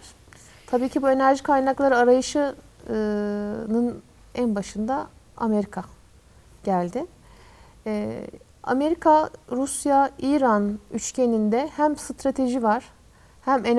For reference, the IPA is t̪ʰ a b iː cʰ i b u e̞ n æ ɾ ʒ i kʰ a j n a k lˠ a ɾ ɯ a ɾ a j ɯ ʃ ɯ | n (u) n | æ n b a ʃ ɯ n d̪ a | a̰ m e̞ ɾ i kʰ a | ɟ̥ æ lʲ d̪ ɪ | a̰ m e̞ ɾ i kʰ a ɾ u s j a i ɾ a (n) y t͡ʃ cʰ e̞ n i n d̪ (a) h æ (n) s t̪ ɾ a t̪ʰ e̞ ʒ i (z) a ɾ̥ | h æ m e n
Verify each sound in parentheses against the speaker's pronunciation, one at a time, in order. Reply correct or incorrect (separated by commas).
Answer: incorrect, correct, incorrect, incorrect, incorrect